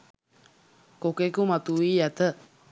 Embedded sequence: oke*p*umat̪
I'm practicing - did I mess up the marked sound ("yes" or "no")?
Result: yes